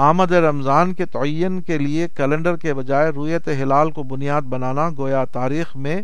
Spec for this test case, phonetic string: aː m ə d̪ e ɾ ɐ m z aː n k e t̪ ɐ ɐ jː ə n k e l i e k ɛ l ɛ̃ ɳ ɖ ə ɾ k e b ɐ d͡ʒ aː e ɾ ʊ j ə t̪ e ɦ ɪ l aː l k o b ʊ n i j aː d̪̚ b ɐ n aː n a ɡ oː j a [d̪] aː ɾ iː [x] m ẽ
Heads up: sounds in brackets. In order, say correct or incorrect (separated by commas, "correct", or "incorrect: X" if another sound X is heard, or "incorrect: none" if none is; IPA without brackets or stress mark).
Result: incorrect: t̪, correct